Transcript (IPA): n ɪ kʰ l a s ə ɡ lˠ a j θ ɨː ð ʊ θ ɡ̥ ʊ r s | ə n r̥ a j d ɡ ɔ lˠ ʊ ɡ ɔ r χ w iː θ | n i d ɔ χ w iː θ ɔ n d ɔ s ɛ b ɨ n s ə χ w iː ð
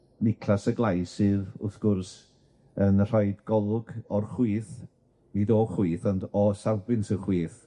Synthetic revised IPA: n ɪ kʰ l a s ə ɡ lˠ a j s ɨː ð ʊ θ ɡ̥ ʊ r s | ə n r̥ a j d ɡ ɔ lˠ ʊ ɡ ɔ r χ w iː θ | n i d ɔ χ w iː θ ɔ n d ɔ s a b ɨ n s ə χ w iː θ